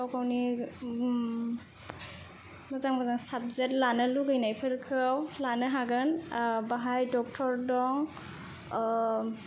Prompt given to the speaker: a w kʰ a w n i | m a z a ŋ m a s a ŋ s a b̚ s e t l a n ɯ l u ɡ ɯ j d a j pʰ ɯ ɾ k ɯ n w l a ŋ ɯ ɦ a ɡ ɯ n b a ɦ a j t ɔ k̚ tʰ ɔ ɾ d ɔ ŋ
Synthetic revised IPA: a w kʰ a w n i | m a z a ŋ m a z a ŋ s a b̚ z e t l a n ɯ l u ɡ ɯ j n a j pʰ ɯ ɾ kʰ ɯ w l a n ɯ ɦ a ɡ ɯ n b a ɦ a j d ɔ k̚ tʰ ɔ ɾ d ɔ ŋ